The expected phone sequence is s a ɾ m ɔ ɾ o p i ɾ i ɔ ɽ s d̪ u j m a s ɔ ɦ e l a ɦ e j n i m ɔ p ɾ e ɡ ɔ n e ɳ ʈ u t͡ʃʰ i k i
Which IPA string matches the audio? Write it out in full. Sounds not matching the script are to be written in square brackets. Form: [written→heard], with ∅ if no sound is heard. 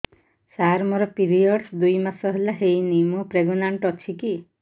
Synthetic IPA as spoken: s a ɾ m ɔ ɾ [o→ɔ] p i ɾ i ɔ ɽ s d̪ u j m a s ɔ ɦ e l a ɦ e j n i m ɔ p ɾ e ɡ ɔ n [e→a] ɳ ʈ [u→ɔ] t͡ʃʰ i k i